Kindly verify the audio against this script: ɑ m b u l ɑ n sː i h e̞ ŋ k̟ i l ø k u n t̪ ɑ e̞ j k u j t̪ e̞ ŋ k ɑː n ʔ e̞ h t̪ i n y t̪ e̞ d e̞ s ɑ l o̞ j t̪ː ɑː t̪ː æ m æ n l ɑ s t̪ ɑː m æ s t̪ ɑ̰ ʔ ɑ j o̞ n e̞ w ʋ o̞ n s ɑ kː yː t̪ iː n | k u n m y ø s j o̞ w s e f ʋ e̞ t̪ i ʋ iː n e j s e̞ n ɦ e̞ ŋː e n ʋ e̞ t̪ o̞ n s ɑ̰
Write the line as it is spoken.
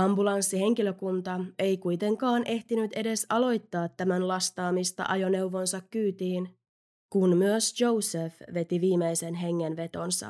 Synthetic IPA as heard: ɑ m b u l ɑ n sː i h e̞ ŋ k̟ i l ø k u n t̪ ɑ e̞ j k u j t̪ e̞ ŋ k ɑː n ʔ e̞ h t̪ i n y t̪ e̞ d e̞ s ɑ l o̞ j t̪ː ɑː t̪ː æ m æ n l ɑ s t̪ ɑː m i s t̪ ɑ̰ ʔ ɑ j o̞ n e̞ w ʋ o̞ n s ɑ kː yː t̪ iː n | k u n m y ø s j o̞ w s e f ʋ e̞ t̪ i ʋ iː m e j s e̞ n ɦ e̞ ŋː e n ʋ e̞ t̪ o̞ n s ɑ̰